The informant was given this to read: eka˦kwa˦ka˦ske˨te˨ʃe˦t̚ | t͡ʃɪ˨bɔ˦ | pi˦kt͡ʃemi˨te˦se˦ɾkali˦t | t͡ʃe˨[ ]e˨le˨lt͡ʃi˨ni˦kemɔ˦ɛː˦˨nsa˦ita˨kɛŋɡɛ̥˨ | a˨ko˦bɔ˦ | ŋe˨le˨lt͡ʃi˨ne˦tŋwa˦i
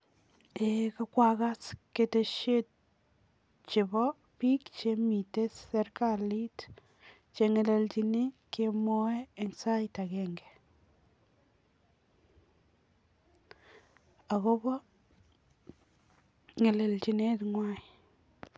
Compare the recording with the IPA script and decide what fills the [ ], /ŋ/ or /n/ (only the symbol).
ŋ